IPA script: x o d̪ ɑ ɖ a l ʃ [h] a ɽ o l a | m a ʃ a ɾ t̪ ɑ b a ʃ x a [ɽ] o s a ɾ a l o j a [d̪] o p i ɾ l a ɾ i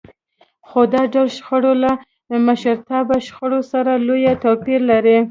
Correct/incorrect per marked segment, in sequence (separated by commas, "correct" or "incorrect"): incorrect, correct, incorrect